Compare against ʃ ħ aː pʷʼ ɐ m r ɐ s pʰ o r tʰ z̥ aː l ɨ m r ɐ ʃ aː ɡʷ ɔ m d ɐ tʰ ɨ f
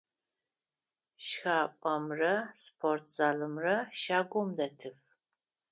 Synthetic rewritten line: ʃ x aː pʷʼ ɐ m r ɐ s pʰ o r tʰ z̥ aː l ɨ m r ɐ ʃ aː ɡʷ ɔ m d ɐ tʰ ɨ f